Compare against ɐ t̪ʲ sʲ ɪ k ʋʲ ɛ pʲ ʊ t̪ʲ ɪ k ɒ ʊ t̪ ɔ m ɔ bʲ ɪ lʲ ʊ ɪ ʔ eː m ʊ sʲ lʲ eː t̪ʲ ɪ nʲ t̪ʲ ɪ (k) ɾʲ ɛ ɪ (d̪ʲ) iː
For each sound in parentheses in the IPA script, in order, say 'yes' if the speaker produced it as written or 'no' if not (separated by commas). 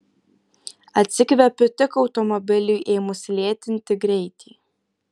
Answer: no, no